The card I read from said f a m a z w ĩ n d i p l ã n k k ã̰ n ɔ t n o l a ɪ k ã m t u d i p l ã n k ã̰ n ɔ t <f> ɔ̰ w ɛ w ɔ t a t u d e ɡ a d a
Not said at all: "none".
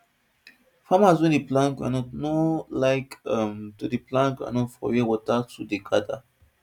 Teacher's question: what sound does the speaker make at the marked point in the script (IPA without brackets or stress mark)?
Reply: f